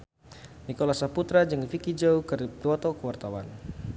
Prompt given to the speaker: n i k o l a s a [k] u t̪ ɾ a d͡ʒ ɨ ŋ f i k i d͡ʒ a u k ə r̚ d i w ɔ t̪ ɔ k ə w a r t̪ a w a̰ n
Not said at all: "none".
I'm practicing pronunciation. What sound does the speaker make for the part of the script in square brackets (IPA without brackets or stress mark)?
p